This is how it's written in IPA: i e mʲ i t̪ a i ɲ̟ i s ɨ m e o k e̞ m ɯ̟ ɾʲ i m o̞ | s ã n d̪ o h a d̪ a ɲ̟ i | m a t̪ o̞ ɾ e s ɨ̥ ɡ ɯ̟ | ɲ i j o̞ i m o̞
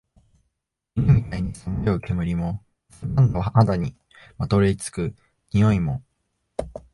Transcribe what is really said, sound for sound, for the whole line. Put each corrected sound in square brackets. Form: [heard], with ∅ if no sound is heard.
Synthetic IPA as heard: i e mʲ i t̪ a i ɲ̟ i s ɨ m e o k e̞ m ɯ̟ ɾʲ i m o̞ | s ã n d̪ o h a d̪ a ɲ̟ i | m a t̪ o̞ ɾ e [t͡s] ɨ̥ [k] ɯ̟ | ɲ i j o̞ i m o̞

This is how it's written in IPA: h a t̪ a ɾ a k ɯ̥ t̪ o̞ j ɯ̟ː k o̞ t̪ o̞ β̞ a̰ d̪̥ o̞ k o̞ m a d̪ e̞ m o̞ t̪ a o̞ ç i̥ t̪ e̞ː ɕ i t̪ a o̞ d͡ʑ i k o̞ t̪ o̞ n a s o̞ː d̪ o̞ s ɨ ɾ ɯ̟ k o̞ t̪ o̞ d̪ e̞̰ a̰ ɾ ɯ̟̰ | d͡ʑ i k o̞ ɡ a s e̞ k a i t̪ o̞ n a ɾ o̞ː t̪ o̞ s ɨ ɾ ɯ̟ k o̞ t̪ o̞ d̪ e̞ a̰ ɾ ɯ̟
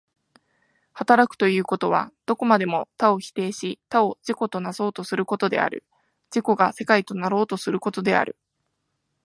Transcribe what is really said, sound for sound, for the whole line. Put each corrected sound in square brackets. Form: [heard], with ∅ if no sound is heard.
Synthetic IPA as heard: h a t̪ a ɾ a k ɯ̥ t̪ o̞ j ɯ̟ː k o̞ t̪ o̞ β̞ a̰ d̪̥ o̞ k o̞ m a d̪ e̞ m o̞ t̪ a o̞ ç i̥ t̪ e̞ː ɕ i t̪ a o̞ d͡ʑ i k o̞ t̪ o̞ n a s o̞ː [t̪] o̞ s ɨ ɾ ɯ̟ k o̞ t̪ o̞ d̪ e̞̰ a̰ ɾ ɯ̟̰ | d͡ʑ i k o̞ ɡ a s e̞ k a i t̪ o̞ n a ɾ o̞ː t̪ o̞ s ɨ ɾ ɯ̟ k o̞ t̪ o̞ d̪ e̞ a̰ ɾ ɯ̟

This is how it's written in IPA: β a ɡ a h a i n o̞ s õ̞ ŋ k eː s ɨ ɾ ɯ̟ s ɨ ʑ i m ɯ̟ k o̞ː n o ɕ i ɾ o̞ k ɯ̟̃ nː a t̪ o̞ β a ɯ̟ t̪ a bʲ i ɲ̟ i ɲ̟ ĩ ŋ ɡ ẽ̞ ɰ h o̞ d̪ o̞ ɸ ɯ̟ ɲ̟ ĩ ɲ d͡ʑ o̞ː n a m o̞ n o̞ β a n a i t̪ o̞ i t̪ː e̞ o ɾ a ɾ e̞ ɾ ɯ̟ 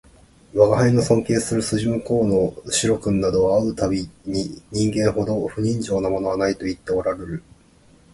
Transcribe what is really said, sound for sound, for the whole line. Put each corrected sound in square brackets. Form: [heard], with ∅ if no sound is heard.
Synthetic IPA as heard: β a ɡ a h a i n o̞ s õ̞ ŋ k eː s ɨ ɾ ɯ̟ s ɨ ʑ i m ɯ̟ k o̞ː n o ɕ i ɾ o̞ k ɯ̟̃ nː a [d̪] o̞ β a ɯ̟ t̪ a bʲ i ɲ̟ i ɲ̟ ĩ ŋ ɡ ẽ̞ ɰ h o̞ d̪ o̞ ɸ ɯ̟ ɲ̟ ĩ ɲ d͡ʑ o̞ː n a m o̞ n o̞ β a n a i t̪ o̞ i t̪ː e̞ o ɾ a ɾ e̞ ɾ ɯ̟

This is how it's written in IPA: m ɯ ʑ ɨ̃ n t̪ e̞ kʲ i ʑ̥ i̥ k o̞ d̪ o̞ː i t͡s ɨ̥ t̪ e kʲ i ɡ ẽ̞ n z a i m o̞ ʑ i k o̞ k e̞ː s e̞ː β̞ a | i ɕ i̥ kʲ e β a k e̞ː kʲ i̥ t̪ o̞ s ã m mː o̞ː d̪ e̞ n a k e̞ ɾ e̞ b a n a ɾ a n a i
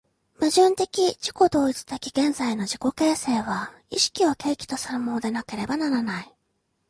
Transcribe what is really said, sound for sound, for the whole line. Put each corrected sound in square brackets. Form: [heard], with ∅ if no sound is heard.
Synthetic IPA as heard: m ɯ ʑ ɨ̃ n t̪ e̞ kʲ i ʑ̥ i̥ k o̞ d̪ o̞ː i t͡s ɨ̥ t̪ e kʲ i ɡ ẽ̞ n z a i [n] o̞ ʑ i k o̞ k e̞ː s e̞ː β̞ a | i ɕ i̥ kʲ [i] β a k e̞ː kʲ i̥ t̪ o̞ s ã m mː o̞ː d̪ e̞ n a k e̞ ɾ e̞ b a n a ɾ a n a i

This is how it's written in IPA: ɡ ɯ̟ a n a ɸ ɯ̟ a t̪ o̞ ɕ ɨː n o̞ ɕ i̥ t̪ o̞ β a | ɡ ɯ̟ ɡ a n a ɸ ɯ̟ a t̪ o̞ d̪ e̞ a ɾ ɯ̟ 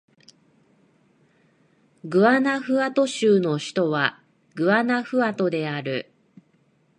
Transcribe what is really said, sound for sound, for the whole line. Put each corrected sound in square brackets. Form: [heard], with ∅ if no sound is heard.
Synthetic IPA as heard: ɡ ɯ̟ a n a ɸ ɯ̟ a t̪ o̞ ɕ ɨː n o̞ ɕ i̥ t̪ o̞ β a | ɡ ɯ̟ [∅] a n a ɸ ɯ̟ a t̪ o̞ d̪ e̞ a ɾ ɯ̟

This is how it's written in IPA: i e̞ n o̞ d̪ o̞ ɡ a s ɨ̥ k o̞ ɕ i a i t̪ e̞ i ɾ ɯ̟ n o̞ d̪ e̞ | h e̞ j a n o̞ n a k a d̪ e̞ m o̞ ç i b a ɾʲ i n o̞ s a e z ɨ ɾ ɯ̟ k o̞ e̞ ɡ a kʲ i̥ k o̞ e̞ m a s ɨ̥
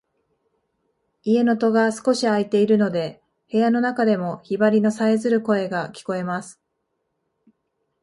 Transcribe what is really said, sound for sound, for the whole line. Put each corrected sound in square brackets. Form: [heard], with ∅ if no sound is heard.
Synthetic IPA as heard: i e̞ n o̞ [t̪] o̞ ɡ a s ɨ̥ k o̞ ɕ i a i t̪ e̞ i ɾ ɯ̟ n o̞ d̪ e̞ | h e̞ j a n o̞ n a k a d̪ e̞ m o̞ ç i b a ɾʲ i n o̞ s a e z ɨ ɾ ɯ̟ k o̞ e̞ ɡ a kʲ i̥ k o̞ e̞ m a s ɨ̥

